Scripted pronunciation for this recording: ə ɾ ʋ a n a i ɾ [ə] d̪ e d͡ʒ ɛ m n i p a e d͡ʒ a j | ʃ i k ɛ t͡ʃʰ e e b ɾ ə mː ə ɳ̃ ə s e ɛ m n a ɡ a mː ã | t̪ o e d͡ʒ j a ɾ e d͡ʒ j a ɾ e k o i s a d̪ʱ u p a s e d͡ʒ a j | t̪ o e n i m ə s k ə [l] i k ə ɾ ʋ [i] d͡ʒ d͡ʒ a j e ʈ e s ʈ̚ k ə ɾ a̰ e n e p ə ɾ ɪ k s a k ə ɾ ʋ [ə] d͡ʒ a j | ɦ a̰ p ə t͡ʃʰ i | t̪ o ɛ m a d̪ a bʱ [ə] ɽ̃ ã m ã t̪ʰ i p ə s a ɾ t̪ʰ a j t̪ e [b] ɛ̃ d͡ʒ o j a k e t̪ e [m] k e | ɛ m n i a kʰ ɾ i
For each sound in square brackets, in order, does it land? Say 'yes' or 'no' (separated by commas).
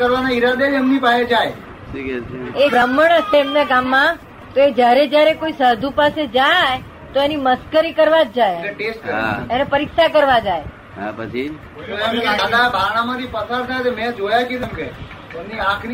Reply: no, no, no, no, no, no, yes